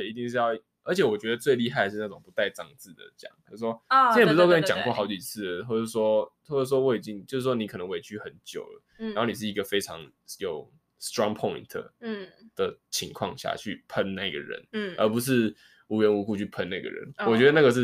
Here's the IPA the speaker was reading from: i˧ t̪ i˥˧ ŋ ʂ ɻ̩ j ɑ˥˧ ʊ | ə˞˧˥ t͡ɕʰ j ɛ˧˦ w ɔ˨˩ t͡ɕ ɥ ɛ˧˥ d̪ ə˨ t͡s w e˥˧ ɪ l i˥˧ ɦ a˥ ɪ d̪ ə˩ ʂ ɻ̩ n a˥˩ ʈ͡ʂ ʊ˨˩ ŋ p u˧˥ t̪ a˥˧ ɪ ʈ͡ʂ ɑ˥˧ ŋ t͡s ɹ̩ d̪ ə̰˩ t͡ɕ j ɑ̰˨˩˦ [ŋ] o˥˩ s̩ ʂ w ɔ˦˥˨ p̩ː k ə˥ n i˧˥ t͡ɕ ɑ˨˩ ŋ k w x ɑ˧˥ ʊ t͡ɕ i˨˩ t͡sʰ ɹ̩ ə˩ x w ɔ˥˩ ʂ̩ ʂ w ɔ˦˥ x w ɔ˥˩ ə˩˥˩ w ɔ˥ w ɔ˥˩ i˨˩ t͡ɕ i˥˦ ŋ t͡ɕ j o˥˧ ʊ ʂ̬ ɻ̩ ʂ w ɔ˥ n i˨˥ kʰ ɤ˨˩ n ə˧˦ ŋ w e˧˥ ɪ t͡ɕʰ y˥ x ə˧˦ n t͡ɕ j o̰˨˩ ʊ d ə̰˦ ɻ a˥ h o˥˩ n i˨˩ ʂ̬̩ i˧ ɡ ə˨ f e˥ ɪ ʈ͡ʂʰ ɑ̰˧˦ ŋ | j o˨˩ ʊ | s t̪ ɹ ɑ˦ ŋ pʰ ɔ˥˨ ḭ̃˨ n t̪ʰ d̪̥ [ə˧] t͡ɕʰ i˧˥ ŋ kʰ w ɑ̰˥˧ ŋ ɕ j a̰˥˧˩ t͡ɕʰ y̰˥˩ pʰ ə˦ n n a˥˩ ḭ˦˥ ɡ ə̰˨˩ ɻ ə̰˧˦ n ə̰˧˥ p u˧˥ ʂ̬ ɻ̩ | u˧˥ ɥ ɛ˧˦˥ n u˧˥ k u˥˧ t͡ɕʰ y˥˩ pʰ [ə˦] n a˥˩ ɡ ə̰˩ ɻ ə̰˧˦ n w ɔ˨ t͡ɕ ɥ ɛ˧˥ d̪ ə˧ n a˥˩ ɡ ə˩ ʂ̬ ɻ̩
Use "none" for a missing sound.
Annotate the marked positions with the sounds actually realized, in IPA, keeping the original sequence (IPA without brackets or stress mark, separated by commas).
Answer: ŋ, ə˨˩, ə˦